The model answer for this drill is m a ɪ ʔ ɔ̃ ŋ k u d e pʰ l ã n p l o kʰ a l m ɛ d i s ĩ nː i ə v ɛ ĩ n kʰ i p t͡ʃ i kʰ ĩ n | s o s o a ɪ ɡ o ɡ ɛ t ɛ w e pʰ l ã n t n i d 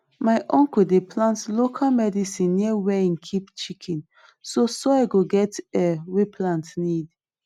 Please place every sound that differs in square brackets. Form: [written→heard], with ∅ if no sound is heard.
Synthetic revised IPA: m a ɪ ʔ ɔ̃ ŋ k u d e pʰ l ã n [p→t] l o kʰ a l m ɛ d i s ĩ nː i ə [v→w] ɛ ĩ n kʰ i p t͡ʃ i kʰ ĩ n | s o s o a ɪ ɡ o ɡ ɛ t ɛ w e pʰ l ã n t n i d